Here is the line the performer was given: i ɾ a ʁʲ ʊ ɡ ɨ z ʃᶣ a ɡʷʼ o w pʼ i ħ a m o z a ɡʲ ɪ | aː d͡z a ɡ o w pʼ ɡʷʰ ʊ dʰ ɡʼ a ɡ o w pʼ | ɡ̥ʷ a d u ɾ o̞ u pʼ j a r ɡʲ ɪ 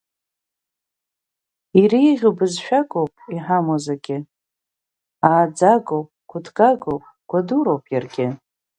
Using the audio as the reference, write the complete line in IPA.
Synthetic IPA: i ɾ i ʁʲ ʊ b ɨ z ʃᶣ a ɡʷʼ o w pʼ i ħ a m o z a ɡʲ ɪ | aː d͡z a ɡ o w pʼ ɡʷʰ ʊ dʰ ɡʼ a ɡ o w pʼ | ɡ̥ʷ a d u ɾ o̞ w pʼ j a r ɡʲ ɪ